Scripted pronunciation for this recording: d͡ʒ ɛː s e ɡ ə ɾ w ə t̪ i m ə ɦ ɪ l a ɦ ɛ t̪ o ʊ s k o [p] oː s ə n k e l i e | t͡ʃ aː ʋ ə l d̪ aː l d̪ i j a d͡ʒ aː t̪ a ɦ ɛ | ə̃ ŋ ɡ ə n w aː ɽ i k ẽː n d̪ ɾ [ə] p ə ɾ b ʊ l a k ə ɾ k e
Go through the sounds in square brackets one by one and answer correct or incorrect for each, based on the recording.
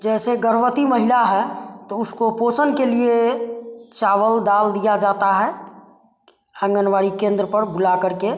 correct, correct

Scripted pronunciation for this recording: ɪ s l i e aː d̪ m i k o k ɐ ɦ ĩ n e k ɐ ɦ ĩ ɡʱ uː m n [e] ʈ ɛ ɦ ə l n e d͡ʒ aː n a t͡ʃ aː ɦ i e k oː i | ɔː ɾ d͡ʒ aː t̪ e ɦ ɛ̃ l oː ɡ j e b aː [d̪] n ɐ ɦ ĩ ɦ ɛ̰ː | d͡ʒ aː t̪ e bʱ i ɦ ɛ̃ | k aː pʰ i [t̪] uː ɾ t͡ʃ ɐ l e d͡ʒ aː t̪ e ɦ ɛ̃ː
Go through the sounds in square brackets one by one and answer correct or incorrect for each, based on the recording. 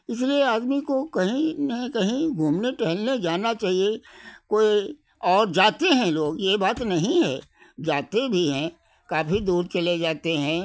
correct, incorrect: t̪, incorrect: d̪

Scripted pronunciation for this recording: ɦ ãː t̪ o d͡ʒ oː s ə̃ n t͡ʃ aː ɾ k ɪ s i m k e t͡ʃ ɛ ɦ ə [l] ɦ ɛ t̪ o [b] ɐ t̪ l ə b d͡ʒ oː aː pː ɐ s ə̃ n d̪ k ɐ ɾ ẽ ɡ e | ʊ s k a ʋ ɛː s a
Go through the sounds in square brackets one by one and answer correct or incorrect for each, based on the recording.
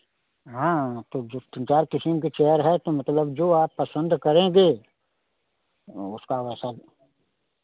incorrect: ɾ, incorrect: m

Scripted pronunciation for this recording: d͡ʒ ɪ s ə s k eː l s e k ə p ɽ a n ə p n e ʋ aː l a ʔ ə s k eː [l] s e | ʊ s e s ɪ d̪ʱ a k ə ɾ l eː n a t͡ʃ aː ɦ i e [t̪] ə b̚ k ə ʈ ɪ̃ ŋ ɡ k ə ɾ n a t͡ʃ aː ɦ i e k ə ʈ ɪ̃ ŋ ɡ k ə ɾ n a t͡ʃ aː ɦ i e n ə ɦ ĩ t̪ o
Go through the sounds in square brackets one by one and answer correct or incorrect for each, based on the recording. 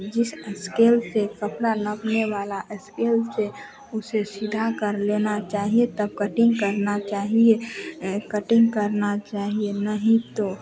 correct, correct

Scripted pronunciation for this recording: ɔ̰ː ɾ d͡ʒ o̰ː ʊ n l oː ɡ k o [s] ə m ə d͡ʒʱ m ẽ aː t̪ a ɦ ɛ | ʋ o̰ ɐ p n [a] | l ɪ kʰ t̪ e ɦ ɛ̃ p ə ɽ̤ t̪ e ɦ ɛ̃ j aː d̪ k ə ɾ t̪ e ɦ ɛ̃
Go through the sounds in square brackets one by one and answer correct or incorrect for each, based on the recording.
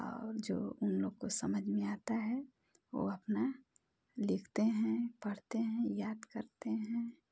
correct, correct

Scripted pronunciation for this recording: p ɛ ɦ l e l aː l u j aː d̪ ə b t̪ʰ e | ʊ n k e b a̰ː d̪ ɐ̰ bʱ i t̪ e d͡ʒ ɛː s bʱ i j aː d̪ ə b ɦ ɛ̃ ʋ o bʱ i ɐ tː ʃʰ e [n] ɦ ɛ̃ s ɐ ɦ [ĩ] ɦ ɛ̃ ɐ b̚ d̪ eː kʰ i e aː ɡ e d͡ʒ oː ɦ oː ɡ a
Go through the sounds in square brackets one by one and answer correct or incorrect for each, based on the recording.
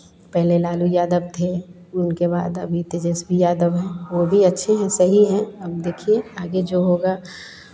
incorrect: none, incorrect: i

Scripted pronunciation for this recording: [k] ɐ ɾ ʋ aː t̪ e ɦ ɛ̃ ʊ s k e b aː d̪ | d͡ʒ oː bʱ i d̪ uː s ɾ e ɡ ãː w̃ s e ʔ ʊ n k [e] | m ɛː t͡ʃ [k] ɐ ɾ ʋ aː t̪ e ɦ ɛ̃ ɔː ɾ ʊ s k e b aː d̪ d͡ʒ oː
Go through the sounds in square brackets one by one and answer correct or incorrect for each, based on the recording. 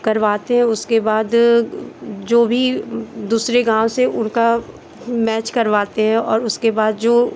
correct, incorrect: a, correct

